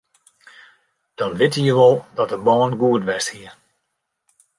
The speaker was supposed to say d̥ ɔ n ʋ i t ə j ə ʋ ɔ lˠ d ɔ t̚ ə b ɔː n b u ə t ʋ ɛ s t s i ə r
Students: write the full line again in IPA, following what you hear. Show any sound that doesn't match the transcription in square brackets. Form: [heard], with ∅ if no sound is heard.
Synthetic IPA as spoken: d̥ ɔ n ʋ [ɪ] t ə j ə ʋ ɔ lˠ d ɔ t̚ ə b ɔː n [ɡ] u ə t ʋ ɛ s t [h] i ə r